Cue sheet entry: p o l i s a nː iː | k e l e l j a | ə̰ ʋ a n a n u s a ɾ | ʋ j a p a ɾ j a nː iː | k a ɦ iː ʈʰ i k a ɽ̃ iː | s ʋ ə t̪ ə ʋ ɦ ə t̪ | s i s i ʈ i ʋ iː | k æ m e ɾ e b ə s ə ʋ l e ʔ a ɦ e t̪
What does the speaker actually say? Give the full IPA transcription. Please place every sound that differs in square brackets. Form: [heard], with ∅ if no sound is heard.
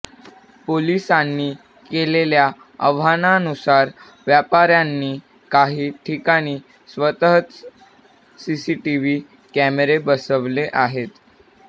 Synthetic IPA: p o l i s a nː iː | k e l e l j a | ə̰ ʋ a n a n u s a ɾ | ʋ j a p a ɾ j a nː iː | k a ɦ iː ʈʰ i k a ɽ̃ iː | s ʋ ə t̪ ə [∅] ɦ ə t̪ | s i s i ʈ i ʋ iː | k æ m e ɾ e b ə s ə ʋ l e ʔ a ɦ e t̪